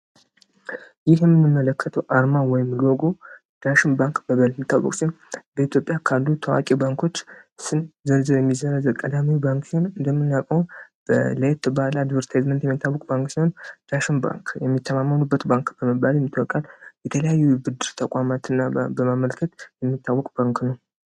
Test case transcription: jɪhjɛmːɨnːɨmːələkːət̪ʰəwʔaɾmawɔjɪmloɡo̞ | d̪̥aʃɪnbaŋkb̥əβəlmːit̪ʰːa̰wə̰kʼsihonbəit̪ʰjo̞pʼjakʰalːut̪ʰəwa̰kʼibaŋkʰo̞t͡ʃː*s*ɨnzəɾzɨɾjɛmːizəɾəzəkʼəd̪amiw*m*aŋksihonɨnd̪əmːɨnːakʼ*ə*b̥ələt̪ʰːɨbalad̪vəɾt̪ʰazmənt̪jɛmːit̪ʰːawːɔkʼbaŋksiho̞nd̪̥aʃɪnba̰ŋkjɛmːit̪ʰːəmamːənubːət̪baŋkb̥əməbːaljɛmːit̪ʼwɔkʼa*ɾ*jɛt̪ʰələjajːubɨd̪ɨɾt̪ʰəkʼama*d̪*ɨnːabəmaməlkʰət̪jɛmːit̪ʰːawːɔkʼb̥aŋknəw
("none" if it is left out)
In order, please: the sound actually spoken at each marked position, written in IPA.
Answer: s, b, ə, l, t̪

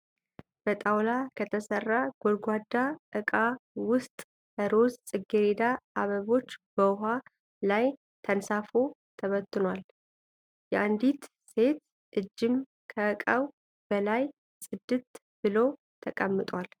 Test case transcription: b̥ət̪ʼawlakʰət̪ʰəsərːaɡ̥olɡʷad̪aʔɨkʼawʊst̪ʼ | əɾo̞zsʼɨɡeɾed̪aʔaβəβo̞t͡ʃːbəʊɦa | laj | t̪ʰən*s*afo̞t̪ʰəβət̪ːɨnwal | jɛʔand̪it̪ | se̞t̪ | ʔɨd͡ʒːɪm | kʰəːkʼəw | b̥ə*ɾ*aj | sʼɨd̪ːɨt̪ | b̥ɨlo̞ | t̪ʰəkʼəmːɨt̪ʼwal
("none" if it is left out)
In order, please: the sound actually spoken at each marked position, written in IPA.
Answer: s, l

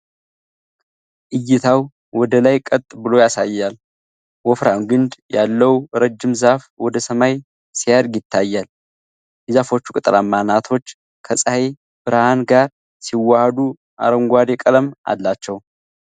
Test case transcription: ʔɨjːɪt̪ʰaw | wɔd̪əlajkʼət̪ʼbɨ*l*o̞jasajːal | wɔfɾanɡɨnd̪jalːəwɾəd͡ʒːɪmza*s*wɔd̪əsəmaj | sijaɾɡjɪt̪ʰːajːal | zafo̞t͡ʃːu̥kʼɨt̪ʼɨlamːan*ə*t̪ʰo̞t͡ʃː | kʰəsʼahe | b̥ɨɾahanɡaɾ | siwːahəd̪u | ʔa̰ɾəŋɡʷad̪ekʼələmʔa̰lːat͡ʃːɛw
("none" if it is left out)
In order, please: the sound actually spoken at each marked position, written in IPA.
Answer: l, f, a

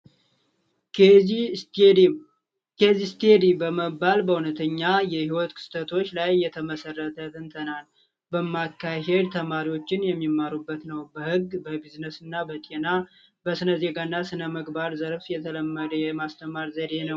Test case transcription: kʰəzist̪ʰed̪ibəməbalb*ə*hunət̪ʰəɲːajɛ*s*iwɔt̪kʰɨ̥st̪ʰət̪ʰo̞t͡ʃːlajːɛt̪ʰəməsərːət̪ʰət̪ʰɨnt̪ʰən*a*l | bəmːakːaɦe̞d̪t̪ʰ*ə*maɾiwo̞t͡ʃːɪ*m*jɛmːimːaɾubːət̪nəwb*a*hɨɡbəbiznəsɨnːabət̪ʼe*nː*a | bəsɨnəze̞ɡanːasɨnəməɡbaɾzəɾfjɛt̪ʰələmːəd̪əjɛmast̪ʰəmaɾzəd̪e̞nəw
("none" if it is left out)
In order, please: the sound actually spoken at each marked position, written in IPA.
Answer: ə, h, a, ə, n, ə, n

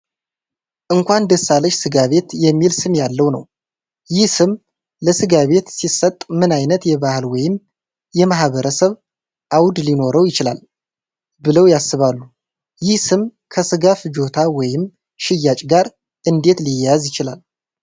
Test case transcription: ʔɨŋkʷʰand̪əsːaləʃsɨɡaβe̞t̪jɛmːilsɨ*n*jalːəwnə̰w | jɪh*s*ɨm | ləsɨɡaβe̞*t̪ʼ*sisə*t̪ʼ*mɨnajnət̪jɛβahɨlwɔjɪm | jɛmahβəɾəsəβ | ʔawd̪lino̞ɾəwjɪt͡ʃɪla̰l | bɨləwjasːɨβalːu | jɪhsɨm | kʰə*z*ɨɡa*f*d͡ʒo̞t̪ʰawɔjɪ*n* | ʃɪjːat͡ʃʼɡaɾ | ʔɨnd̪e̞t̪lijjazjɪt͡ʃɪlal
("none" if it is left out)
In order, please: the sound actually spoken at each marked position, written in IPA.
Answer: m, s, t̪, t̪ʼ, s, f, m

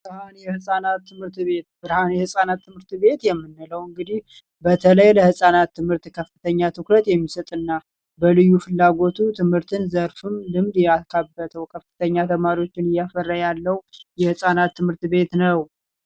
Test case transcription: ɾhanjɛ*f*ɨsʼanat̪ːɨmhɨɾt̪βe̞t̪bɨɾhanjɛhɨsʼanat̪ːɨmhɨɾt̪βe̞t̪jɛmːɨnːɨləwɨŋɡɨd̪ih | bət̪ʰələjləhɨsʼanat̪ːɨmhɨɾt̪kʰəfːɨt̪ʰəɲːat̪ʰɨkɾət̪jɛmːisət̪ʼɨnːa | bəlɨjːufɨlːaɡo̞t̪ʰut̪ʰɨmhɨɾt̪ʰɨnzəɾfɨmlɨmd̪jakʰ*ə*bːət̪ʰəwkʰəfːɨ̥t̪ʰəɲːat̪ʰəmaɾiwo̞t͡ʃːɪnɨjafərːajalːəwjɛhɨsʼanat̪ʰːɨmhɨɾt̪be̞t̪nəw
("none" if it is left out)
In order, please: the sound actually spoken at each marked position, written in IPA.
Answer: h, a

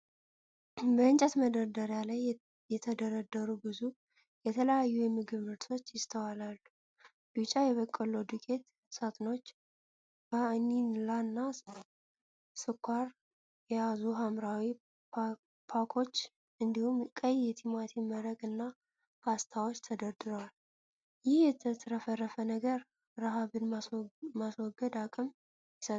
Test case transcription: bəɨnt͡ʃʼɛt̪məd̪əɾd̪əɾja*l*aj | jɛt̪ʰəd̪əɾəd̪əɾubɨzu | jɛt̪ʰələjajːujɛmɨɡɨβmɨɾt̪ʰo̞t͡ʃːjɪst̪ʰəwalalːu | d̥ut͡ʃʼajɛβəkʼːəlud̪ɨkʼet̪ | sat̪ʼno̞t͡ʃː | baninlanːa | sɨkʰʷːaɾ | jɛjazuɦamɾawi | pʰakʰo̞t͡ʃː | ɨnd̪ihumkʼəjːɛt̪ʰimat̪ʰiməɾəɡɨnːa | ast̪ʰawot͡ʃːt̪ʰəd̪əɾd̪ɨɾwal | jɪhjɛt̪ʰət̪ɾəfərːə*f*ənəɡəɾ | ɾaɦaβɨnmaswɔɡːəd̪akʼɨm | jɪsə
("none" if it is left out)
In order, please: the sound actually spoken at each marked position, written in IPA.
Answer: l, f

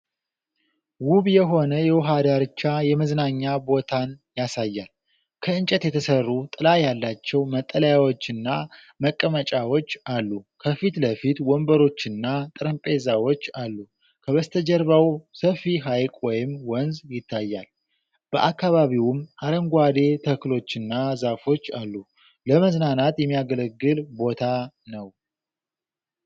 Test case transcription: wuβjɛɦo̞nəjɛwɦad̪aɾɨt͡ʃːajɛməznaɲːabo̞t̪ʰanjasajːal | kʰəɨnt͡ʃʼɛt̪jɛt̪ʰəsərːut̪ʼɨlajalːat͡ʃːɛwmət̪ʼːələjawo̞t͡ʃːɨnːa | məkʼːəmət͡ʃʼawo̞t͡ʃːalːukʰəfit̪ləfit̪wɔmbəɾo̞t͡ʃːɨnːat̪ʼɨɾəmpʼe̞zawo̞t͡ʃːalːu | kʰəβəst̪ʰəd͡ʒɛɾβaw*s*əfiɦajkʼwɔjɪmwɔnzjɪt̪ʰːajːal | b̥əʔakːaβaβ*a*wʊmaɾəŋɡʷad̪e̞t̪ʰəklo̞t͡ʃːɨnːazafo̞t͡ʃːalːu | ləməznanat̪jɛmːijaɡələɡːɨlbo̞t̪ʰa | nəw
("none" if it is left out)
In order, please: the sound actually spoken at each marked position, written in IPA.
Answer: s, i

